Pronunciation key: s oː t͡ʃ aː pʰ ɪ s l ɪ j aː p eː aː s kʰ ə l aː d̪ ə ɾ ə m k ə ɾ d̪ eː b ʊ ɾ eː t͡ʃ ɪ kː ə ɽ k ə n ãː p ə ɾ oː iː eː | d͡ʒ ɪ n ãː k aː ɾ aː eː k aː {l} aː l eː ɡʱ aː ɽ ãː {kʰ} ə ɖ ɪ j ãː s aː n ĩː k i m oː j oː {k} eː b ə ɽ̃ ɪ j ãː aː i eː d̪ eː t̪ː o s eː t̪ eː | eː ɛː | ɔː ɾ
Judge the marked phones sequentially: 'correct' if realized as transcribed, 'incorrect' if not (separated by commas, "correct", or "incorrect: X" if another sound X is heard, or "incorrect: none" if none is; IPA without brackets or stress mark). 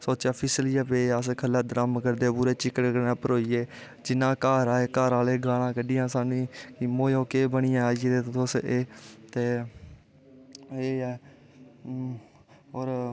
incorrect: ɾ, incorrect: k, correct